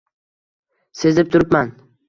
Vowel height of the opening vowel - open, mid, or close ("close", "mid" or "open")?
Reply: mid